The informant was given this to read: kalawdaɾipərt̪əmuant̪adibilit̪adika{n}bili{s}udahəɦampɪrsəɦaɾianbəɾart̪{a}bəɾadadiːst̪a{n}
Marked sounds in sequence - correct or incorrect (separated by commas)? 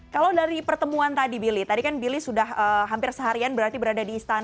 correct, correct, incorrect, correct